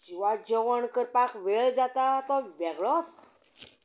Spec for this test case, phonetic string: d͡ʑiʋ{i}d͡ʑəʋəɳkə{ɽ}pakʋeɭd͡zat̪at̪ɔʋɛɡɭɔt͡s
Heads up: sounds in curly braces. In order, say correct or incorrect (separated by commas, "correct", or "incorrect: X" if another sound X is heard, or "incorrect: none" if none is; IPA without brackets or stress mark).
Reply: incorrect: a, incorrect: ɾ